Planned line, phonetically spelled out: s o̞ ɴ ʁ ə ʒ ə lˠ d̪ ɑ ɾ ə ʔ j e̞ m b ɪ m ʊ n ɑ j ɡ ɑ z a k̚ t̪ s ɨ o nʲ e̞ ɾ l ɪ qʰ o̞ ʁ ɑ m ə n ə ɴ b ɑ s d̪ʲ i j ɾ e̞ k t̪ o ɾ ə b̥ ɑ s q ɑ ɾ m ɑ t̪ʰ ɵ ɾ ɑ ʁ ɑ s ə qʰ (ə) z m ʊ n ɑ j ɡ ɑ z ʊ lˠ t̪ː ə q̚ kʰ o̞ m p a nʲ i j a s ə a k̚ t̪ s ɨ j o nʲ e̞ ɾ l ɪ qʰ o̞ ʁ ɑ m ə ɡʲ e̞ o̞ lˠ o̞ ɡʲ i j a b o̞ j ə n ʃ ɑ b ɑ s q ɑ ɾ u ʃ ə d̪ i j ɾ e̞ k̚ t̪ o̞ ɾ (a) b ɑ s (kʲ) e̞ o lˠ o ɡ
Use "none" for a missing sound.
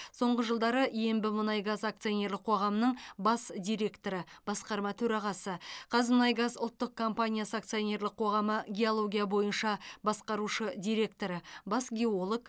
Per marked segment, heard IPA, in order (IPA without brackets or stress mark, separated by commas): ɑ, ə, ɡʲ